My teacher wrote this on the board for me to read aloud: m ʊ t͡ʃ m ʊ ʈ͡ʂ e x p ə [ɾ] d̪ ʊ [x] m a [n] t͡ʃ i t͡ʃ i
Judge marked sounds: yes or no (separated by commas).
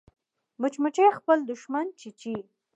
no, no, yes